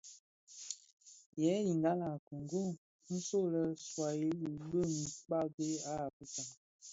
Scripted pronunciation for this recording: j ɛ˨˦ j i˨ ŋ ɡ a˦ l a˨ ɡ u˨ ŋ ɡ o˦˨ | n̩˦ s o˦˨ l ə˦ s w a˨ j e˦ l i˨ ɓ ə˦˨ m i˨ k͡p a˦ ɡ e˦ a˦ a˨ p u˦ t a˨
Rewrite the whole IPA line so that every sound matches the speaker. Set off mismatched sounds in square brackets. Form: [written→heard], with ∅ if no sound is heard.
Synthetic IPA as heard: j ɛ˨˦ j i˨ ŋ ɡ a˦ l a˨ [ɡ→k] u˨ ŋ ɡ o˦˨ | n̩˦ s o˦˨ l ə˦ s w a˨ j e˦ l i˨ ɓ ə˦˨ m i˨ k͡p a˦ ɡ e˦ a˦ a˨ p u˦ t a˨